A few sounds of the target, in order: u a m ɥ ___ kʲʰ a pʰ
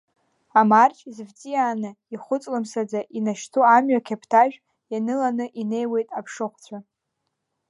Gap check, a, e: a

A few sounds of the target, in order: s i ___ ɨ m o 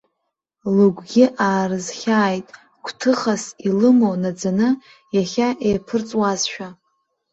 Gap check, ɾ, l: l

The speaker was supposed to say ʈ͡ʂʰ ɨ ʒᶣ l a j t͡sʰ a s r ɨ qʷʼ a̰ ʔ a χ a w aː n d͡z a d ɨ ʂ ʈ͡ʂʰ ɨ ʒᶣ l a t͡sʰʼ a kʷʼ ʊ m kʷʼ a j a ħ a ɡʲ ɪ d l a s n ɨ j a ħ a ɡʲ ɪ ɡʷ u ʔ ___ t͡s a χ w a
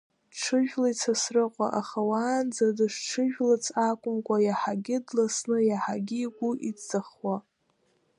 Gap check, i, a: i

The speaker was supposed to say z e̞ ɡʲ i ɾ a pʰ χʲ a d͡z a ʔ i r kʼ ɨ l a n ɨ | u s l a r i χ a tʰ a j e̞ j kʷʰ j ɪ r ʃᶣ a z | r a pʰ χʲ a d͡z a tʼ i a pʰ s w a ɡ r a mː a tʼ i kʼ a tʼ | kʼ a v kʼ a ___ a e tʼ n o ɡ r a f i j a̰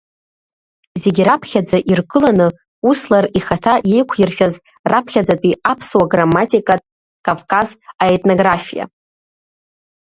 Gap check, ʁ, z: z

